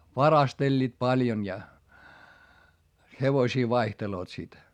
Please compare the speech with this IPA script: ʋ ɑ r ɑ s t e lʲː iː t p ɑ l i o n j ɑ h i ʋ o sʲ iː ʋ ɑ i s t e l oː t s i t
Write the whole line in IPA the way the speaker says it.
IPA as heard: ʋ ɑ r ɑ s t e lʲː iː t p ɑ l j o n j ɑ h e ʋ o sʲ iː ʋ ɑ i h t e l oː t s i t